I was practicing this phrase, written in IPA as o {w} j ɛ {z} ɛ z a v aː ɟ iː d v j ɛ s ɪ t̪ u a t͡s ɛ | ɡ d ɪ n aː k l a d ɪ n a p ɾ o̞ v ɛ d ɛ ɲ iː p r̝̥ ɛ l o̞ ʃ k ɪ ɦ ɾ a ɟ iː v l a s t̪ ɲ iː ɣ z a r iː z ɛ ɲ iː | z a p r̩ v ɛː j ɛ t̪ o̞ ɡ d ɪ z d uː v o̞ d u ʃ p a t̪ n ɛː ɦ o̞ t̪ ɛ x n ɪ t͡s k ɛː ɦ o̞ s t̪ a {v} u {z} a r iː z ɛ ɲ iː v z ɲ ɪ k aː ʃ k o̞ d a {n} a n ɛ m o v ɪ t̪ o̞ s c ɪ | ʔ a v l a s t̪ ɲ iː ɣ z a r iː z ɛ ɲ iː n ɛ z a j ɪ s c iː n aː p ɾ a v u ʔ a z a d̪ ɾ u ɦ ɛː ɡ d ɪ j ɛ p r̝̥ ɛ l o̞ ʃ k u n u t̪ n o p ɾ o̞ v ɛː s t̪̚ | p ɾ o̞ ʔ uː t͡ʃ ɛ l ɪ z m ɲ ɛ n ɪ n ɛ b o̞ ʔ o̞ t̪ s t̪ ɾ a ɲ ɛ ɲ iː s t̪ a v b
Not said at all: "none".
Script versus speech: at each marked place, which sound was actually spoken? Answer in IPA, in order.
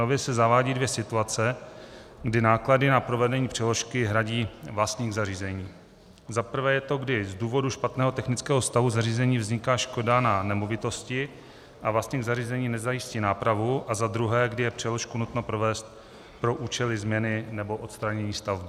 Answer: v, s, v, z, n

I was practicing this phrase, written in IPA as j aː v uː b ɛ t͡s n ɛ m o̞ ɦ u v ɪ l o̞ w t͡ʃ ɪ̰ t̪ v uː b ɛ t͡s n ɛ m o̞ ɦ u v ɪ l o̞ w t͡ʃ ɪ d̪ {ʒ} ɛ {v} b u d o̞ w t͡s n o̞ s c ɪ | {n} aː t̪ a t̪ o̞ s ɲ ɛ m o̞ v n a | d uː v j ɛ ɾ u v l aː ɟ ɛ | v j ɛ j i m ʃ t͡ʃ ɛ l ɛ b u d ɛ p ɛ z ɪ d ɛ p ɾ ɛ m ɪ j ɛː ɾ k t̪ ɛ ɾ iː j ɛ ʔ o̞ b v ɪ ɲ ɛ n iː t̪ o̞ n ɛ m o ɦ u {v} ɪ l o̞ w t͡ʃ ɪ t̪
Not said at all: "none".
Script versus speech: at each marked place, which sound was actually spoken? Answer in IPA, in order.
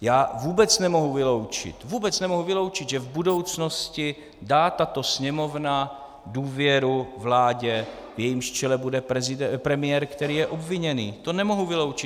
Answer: ʒ, v, d, v

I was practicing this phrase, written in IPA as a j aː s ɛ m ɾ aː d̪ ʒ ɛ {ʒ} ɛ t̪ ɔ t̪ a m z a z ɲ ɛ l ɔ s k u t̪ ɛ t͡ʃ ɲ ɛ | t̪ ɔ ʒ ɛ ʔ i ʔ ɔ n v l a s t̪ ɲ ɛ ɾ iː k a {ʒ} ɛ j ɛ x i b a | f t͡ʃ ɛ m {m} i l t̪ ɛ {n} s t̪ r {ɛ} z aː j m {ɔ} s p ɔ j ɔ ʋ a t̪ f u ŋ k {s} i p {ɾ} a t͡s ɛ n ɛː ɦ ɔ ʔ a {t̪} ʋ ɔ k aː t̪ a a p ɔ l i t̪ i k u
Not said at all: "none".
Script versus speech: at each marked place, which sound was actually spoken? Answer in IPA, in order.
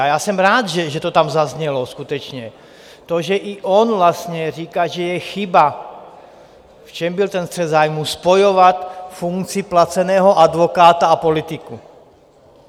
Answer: ʒ, ʒ, b, n, ɛ, u, t͡s, l, d̪

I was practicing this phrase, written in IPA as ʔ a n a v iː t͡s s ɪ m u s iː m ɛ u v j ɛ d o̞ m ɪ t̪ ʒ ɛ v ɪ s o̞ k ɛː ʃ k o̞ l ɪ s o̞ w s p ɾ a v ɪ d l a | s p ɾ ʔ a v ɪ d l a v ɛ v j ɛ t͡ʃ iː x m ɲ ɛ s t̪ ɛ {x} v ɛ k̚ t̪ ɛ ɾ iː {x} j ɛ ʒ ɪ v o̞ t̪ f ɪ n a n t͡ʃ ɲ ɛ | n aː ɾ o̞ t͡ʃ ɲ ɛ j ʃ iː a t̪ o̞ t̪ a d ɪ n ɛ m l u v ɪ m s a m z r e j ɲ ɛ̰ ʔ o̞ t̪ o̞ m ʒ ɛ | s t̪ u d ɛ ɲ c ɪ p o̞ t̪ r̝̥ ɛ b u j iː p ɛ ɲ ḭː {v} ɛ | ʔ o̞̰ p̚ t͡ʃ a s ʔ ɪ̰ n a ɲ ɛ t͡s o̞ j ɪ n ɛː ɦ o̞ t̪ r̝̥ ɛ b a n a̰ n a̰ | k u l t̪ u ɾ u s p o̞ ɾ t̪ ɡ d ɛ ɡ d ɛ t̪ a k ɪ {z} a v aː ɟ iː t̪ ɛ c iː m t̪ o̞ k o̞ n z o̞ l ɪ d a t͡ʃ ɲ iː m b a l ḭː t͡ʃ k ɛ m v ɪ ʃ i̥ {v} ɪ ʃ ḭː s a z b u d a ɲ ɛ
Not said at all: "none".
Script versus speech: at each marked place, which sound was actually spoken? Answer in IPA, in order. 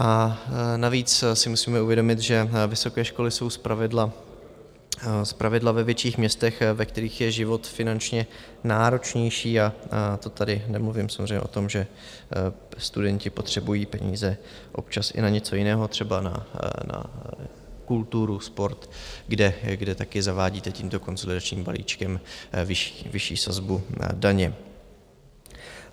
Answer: x, x, z, z, v

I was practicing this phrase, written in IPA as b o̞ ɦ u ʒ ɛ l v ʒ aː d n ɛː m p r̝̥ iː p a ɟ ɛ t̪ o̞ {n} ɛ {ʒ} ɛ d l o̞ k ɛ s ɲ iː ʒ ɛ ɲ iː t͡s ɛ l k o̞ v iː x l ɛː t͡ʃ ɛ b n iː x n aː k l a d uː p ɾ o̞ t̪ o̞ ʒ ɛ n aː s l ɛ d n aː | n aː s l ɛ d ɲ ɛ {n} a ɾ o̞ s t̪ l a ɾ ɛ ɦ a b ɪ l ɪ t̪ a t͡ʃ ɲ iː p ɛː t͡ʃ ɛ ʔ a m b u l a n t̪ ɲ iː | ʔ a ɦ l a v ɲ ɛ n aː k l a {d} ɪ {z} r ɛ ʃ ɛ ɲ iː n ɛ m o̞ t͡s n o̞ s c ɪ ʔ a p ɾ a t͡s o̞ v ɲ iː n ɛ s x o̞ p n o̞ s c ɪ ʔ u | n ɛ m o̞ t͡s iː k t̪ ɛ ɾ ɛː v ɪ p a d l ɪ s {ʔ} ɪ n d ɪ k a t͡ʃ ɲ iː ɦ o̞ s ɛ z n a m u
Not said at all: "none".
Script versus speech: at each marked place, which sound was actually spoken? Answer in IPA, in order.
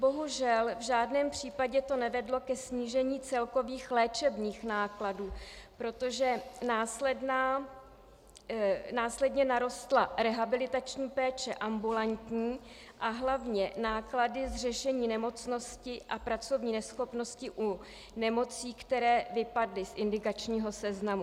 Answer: n, v, n, d, z, ʔ

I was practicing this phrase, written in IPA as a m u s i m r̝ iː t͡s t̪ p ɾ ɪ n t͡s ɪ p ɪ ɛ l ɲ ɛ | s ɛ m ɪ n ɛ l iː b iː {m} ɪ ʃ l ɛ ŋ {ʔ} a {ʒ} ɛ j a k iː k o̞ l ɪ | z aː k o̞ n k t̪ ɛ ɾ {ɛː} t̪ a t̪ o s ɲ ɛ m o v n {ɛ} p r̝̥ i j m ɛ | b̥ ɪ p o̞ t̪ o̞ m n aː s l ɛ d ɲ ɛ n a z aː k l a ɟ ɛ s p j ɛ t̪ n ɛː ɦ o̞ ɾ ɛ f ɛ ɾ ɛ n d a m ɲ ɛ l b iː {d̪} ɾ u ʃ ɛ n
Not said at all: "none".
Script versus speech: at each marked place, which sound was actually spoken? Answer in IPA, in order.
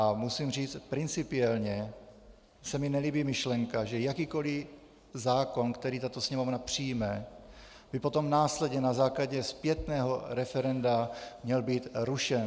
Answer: m, k, ʒ, iː, a, t̪

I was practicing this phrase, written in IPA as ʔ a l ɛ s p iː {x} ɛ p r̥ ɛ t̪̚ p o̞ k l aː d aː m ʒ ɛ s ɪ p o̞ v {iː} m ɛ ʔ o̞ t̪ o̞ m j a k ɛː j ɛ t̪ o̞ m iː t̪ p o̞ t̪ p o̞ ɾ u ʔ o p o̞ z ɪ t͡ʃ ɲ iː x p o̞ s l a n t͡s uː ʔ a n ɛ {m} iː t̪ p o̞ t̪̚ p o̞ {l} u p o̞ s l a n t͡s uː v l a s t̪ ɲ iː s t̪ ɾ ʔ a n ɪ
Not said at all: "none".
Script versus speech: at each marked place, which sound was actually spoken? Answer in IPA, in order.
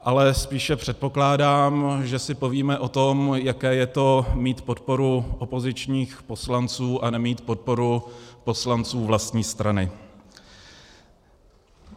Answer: ʃ, iː, m, ɾ

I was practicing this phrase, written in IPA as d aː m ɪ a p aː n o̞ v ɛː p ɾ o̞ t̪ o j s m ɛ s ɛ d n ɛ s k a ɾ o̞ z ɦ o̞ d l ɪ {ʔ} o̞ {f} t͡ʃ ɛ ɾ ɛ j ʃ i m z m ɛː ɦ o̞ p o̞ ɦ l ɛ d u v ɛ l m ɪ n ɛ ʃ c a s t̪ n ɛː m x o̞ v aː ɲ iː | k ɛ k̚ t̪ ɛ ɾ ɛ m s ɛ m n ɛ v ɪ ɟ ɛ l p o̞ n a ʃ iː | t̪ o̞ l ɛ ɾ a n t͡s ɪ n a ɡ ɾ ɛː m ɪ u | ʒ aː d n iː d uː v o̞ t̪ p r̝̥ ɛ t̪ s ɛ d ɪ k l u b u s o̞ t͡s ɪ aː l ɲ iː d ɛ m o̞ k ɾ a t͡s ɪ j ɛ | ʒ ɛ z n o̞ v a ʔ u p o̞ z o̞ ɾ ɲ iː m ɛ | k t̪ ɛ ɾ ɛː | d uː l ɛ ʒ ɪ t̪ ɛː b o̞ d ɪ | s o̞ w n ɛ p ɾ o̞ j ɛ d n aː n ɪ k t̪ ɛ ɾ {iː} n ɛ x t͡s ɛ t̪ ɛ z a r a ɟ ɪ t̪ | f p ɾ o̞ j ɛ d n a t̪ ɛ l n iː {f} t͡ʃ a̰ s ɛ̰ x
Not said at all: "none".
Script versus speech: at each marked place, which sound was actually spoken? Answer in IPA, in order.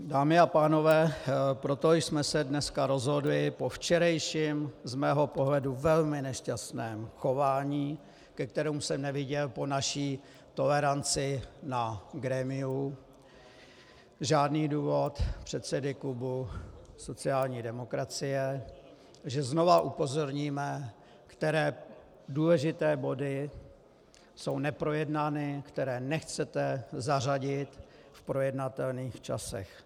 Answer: p, f, ɛː, x

